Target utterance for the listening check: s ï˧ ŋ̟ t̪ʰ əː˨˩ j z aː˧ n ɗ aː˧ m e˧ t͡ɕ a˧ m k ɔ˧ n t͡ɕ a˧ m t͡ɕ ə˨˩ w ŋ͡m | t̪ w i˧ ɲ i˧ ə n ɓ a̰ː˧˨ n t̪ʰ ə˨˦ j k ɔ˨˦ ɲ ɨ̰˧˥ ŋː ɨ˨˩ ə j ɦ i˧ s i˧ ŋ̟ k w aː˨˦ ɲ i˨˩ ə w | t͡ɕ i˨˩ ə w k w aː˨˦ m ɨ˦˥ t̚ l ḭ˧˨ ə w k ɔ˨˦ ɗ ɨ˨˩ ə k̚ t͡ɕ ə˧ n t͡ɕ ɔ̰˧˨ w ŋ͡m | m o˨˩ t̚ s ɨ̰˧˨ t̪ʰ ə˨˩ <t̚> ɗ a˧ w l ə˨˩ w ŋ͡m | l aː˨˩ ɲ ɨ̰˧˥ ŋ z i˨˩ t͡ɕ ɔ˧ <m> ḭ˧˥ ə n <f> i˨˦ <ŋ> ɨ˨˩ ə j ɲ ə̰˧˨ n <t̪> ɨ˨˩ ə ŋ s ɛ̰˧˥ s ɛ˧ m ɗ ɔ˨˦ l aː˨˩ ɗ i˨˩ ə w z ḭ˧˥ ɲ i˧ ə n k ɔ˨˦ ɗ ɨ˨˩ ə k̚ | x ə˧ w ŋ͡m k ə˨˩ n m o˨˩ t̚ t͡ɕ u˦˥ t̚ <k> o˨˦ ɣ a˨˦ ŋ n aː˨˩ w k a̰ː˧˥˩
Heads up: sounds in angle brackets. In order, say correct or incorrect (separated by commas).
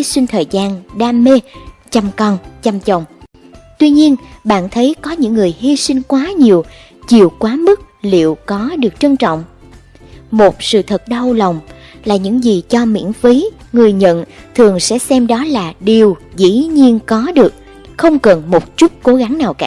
correct, correct, correct, correct, incorrect, correct